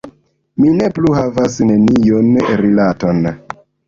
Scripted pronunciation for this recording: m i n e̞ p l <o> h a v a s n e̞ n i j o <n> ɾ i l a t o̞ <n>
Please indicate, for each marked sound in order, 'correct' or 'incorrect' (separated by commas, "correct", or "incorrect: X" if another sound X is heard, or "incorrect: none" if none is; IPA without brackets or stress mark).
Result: incorrect: u, correct, correct